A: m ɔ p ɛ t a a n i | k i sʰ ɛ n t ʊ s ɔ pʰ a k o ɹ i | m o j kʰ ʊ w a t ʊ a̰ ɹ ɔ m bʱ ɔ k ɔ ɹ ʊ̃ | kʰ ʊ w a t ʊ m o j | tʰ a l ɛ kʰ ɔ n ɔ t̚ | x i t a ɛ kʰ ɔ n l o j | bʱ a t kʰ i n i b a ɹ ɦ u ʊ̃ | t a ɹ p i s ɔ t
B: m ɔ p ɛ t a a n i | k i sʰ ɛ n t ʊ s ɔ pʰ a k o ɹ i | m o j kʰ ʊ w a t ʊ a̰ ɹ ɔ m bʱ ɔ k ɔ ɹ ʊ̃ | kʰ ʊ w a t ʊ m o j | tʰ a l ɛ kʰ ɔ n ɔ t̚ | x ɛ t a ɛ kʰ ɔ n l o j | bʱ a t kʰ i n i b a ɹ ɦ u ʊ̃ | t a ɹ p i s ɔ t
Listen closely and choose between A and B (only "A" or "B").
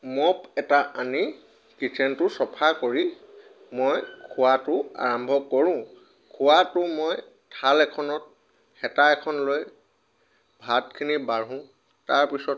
B